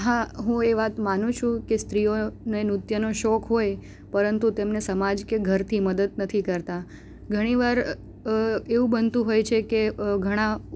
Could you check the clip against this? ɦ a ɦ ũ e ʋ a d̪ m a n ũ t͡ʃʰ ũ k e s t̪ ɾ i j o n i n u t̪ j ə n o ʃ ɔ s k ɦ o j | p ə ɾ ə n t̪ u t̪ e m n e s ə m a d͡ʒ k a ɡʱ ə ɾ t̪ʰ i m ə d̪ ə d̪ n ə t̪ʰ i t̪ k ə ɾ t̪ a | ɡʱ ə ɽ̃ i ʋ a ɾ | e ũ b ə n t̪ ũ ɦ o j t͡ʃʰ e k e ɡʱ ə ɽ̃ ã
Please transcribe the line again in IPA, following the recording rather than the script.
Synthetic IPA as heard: ɦ a ɦ ũ e ʋ a t̪ m a n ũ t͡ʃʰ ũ k e s t̪ ɾ i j o n e n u t̪ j ə n o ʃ ɔ k ɦ o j | p ə ɾ ə n t̪ u t̪ e m n e s ə m a d͡ʒ k e ɡʱ ə ɾ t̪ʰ i m ə d̪ ə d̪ n ə t̪ʰ i k ə ɾ t̪ a | ɡʱ ə ɽ̃ i ʋ a ɾ | e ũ b ə n t̪ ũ ɦ o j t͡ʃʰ e k e ɡʱ ə ɽ̃ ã